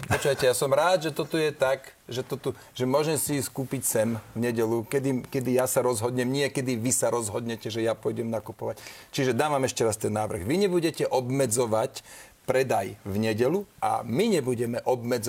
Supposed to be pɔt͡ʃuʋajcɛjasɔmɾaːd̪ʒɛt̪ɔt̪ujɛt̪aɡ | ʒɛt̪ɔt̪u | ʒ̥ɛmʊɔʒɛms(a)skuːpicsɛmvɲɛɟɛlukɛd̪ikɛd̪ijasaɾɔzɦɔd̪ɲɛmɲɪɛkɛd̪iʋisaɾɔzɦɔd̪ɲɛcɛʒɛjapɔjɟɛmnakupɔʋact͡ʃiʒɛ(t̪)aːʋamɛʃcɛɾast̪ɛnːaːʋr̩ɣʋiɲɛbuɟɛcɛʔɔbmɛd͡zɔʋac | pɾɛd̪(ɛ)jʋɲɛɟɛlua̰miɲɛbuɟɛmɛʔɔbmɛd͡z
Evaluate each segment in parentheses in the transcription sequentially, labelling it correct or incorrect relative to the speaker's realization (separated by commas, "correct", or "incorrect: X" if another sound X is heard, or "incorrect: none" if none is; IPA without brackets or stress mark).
incorrect: i, incorrect: d̪, incorrect: a